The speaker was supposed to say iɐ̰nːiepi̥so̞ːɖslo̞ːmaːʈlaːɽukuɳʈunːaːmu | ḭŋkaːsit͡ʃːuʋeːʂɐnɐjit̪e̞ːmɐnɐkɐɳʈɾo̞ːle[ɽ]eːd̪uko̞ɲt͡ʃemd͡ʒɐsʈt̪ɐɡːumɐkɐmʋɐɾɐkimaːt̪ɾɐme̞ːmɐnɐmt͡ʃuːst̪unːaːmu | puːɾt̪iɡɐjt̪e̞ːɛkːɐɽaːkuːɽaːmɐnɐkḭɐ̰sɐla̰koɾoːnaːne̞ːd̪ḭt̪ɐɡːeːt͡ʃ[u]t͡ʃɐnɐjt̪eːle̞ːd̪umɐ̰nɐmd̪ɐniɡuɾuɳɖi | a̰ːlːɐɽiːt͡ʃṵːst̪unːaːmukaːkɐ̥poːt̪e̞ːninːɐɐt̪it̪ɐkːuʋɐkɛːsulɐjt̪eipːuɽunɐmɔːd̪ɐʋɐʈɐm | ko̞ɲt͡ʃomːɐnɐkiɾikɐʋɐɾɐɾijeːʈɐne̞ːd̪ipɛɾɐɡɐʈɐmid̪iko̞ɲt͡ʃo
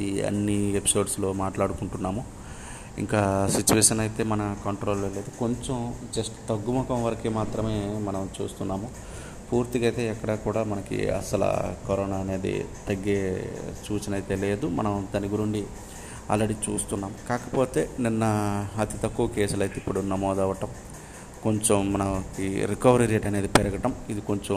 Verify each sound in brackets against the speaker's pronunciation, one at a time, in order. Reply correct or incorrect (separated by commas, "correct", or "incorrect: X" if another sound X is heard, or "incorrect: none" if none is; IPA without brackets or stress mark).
incorrect: l, incorrect: uː